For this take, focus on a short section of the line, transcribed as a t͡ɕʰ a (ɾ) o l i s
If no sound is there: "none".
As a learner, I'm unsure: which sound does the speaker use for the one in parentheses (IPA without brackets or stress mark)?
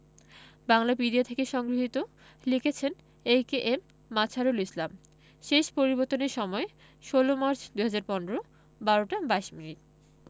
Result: ɾ